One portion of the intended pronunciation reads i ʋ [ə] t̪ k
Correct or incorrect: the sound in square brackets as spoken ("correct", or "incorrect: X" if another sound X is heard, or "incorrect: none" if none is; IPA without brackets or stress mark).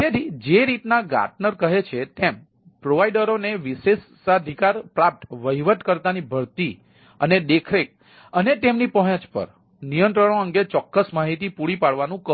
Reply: correct